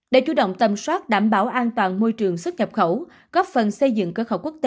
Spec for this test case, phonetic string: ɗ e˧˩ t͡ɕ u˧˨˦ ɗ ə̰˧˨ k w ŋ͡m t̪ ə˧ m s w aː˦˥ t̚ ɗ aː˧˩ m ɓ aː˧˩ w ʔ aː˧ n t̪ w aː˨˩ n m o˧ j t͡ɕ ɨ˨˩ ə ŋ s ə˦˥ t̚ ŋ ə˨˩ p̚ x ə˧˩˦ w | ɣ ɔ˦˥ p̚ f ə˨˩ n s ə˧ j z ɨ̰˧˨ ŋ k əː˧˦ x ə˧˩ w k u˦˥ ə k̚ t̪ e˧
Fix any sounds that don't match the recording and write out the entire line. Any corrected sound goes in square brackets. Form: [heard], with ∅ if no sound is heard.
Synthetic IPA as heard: ɗ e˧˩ t͡ɕ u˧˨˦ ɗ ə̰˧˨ [∅] w ŋ͡m t̪ [ə˨˩] m s w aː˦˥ t̚ ɗ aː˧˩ m ɓ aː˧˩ w ʔ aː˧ n t̪ w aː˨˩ n m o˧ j t͡ɕ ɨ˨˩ ə ŋ s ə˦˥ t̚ [ɲ] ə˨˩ p̚ x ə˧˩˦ w | ɣ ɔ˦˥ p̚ f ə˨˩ n s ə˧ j z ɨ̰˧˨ ŋ k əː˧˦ x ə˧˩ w k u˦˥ ə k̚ t̪ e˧